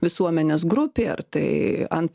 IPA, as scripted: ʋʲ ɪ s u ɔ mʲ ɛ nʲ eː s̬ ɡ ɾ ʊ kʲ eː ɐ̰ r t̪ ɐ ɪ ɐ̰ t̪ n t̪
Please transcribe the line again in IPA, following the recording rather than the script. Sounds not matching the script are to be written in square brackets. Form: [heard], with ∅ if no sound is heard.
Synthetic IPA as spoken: ʋʲ ɪ s u ɔ mʲ ɛ nʲ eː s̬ ɡ ɾ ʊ [pʲ] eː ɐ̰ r t̪ ɐ ɪ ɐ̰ [∅] n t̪

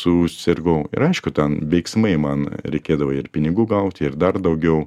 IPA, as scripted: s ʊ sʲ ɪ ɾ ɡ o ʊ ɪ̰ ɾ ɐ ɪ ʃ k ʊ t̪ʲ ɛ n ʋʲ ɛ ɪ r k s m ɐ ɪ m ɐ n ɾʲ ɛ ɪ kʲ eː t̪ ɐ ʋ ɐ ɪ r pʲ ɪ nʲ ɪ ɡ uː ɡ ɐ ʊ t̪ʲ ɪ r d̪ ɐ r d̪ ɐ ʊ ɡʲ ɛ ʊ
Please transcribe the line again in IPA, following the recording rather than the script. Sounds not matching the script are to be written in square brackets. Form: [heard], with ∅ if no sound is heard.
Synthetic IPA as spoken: s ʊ sʲ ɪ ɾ ɡ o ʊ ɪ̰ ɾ ɐ ɪ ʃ k ʊ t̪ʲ ɛ n ʋʲ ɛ ɪ [∅] k s m ɐ ɪ m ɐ n ɾʲ ɛ ɪ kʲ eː [d̪] ɐ ʋ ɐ ɪ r pʲ ɪ nʲ ɪ ɡ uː ɡ ɐ ʊ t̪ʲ ɪ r d̪ ɐ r d̪ ɐ ʊ ɡʲ ɛ ʊ

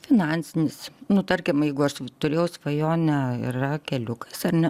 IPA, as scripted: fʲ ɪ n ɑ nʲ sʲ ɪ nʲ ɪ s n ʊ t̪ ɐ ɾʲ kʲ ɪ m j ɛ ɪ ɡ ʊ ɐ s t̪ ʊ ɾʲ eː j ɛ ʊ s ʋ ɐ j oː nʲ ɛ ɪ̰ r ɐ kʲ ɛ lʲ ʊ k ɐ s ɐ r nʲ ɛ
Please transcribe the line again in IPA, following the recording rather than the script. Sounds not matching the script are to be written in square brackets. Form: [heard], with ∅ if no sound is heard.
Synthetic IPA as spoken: fʲ ɪ n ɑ nʲ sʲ ɪ nʲ ɪ s n ʊ t̪ ɐ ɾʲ kʲ ɪ m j ɛ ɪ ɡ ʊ ɐ [ʃ] t̪ ʊ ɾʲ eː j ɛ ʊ s ʋ ɐ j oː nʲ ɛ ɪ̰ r ɐ kʲ ɛ lʲ ʊ k ɐ s ɐ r nʲ ɛ

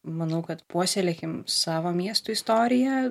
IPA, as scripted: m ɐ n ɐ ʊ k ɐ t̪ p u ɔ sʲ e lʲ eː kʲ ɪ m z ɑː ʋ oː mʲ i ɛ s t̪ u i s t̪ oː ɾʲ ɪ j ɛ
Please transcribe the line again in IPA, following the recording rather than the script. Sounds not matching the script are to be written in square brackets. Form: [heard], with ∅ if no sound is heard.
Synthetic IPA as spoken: m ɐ n ɐ ʊ k ɐ t̪ p u ɔ sʲ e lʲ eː kʲ ɪ m [s] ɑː ʋ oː mʲ i ɛ s t̪ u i s t̪ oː ɾʲ ɪ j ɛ

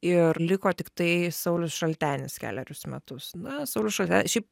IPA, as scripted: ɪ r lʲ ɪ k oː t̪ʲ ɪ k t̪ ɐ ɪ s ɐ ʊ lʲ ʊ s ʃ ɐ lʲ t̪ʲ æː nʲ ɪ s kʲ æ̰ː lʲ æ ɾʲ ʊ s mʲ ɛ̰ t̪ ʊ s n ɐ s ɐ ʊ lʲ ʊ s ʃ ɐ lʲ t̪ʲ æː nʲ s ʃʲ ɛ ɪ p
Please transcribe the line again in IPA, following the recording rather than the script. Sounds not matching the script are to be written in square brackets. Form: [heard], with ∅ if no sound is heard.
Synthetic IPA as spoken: ɪ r lʲ ɪ k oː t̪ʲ ɪ k t̪ ɐ ɪ s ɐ ʊ lʲ ʊ s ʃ ɐ lʲ t̪ʲ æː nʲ ɪ s kʲ æ̰ː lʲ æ ɾʲ ʊ s mʲ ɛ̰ t̪ ʊ s n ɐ s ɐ ʊ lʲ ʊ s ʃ ɐ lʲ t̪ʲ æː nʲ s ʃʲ ɛ ɪ p

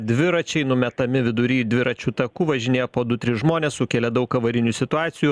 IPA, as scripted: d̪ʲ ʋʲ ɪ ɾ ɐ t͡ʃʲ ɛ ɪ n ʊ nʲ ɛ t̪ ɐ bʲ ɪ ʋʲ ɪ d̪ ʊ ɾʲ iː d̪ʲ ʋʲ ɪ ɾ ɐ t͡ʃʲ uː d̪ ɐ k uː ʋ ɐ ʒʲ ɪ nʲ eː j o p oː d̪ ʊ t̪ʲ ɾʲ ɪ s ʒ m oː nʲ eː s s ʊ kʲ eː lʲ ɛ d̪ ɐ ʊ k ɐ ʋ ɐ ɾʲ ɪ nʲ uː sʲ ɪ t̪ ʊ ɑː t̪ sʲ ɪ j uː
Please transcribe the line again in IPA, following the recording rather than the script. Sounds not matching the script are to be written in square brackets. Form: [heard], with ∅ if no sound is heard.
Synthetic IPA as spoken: d̪ʲ ʋʲ ɪ ɾ ɐ t͡ʃʲ ɛ ɪ n ʊ [mʲ] ɛ t̪ ɐ [mʲ] ɪ ʋʲ ɪ d̪ ʊ ɾʲ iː d̪ʲ ʋʲ ɪ ɾ ɐ t͡ʃʲ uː [t̪] ɐ k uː ʋ ɐ ʒʲ ɪ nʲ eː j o p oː d̪ ʊ t̪ʲ ɾʲ ɪ s ʒ m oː nʲ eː s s ʊ kʲ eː lʲ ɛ d̪ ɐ ʊ k ɐ ʋ ɐ ɾʲ ɪ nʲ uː sʲ ɪ t̪ ʊ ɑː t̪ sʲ ɪ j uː

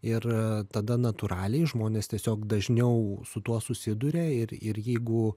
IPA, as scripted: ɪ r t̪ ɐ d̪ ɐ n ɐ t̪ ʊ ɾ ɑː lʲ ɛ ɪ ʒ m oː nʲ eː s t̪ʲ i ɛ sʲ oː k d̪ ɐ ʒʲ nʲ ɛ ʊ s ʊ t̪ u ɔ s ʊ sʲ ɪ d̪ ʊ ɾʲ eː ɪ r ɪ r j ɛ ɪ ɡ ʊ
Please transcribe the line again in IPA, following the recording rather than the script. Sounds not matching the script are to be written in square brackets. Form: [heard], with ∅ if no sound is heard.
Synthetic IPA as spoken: ɪ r t̪ ɐ d̪ ɐ n ɐ t̪ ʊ ɾ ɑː lʲ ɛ ɪ ʒ m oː nʲ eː s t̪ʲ i ɛ sʲ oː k d̪ ɐ ʒʲ nʲ ɛ ʊ s ʊ t̪ u ɔ s ʊ sʲ ɪ d̪ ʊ ɾʲ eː ɪ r ɪ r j ɛ ɪ ɡ ʊ

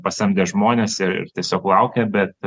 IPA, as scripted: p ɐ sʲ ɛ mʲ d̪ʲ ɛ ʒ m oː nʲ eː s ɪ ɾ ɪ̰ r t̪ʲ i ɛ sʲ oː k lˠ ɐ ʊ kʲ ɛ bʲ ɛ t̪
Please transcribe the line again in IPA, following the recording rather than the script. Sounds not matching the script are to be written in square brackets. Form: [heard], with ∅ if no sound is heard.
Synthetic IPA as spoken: p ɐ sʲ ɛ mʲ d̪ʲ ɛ ʒ m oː nʲ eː s ɪ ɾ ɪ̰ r t̪ʲ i ɛ sʲ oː k lˠ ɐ ʊ kʲ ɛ bʲ ɛ t̪

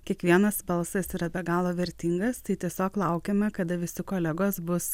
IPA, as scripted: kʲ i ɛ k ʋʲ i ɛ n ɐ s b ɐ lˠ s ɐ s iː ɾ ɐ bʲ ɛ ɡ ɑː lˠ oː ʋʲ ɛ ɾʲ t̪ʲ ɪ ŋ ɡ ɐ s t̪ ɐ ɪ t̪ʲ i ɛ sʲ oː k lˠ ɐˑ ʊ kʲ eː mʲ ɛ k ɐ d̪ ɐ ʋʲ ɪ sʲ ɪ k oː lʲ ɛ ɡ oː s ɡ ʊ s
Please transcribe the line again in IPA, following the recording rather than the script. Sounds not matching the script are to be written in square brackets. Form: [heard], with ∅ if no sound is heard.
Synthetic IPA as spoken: kʲ i ɛ k ʋʲ i ɛ n ɐ s b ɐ lˠ s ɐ s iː ɾ ɐ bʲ ɛ ɡ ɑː lˠ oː ʋʲ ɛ ɾʲ t̪ʲ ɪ ŋ ɡ ɐ s t̪ ɐ ɪ t̪ʲ i ɛ sʲ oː k lˠ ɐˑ ʊ kʲ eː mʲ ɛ k ɐ d̪ ɐ ʋʲ ɪ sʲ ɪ k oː lʲ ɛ ɡ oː s [b] ʊ s

